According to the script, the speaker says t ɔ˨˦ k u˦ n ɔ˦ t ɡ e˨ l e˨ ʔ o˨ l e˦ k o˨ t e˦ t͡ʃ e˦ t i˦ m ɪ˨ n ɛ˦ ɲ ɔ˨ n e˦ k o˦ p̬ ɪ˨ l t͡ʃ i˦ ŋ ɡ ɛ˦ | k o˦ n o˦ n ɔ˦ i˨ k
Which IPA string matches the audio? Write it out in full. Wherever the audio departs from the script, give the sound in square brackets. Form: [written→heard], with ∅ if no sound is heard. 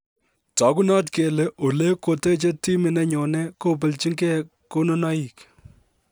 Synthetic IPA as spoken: t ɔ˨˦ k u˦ n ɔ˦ t [ɡ→k] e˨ l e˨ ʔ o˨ l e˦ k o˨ t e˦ t͡ʃ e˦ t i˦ m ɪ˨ n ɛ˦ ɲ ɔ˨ n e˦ k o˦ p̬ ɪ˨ l t͡ʃ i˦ ŋ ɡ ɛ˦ | k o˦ n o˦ n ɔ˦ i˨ k

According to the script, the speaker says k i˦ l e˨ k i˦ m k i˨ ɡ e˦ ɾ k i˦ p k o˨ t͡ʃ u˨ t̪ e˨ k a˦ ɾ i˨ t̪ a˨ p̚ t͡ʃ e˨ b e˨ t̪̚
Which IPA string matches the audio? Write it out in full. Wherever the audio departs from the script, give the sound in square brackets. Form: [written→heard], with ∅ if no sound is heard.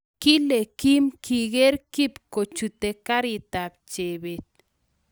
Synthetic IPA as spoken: k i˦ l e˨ k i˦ m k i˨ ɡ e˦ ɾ k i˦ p k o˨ t͡ʃ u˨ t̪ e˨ k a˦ ɾ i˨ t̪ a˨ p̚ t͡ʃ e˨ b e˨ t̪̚

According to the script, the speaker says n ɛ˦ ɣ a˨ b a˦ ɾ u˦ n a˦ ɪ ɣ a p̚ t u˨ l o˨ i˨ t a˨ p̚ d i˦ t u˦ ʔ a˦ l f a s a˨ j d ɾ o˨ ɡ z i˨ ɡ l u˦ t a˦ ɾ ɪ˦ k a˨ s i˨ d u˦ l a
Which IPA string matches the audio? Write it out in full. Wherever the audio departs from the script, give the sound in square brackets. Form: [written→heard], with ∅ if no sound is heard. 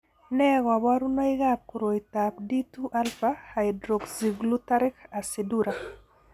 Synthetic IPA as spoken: n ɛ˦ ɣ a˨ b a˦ ɾ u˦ n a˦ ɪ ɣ a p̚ [t→k] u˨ [l→ɾ] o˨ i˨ t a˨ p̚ d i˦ t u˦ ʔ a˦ l f a [s→h] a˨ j d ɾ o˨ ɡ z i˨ ɡ l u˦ t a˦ ɾ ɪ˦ k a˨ s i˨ d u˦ [l→ɾ] a

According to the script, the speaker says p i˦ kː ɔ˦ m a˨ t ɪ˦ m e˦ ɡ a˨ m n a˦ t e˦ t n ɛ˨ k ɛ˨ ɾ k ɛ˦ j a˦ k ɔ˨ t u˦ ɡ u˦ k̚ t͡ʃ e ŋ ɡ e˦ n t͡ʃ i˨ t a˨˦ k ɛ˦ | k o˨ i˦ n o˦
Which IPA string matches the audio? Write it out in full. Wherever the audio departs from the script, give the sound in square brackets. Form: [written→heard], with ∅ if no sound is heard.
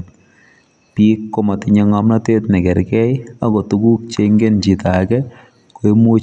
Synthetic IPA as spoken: p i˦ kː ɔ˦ m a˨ t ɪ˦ [m→ɲ] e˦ [ɡ→ŋ] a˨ m n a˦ t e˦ t n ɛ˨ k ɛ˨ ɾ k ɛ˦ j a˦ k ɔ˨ t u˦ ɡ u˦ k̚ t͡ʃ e ŋ ɡ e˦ n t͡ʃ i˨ t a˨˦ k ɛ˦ | k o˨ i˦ [n→m] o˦

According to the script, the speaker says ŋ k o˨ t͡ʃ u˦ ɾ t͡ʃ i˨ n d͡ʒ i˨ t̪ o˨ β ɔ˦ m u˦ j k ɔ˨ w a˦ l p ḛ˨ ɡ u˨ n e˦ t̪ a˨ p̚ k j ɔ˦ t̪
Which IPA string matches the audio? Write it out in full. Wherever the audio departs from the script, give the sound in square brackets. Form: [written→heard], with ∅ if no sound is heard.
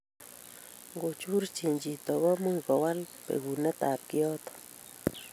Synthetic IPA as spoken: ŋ [k→ɡ] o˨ t͡ʃ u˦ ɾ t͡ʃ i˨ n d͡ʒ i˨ t̪ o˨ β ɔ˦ m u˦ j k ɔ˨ w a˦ l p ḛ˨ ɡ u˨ n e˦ t̪ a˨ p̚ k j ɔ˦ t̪

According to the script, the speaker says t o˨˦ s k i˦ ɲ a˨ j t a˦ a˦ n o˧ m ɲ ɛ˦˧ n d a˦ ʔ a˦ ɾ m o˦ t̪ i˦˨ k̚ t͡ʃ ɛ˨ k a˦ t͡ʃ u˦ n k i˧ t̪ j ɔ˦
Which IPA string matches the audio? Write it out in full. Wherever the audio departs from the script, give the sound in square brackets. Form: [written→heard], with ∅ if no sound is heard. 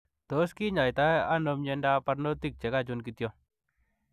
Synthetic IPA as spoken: t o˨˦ s k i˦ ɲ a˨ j t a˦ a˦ n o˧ m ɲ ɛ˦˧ n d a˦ [ʔ→p] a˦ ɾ [m→n] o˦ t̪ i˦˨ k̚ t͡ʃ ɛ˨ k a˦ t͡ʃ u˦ n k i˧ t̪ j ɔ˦

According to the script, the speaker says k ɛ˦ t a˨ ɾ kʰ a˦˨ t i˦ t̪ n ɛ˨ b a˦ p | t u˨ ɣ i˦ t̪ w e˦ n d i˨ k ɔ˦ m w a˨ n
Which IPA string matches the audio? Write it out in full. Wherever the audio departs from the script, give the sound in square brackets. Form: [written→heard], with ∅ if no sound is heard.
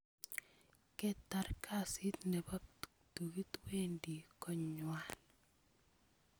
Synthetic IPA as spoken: k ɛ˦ t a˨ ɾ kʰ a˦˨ [t→s] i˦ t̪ n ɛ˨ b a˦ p | t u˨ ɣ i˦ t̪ w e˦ n d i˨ k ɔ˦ [m→ɲ] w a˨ n

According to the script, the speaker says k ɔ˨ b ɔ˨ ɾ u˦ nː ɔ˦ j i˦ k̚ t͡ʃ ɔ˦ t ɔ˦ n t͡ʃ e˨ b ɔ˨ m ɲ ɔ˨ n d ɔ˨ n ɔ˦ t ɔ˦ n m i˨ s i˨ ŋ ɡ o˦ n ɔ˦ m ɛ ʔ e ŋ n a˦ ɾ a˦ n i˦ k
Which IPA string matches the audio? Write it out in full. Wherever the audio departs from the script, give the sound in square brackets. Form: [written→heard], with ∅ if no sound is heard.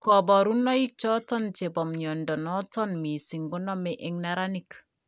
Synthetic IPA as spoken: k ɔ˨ b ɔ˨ ɾ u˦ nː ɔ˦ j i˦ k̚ t͡ʃ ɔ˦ t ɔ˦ n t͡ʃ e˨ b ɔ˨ m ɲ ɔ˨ n d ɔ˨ n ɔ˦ t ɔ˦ n m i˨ s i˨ ŋ ɡ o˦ n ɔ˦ m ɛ ʔ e ŋ n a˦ ɾ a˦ n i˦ k

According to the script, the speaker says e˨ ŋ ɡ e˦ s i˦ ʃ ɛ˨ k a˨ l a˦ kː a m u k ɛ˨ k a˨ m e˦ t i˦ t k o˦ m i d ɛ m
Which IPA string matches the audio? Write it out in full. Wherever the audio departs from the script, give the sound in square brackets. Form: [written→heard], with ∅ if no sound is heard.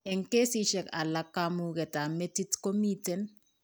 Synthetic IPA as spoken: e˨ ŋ [ɡ→k] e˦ s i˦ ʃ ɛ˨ k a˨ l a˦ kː a m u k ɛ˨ [k→t] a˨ m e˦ t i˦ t k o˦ m i [d→t] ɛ [m→n]

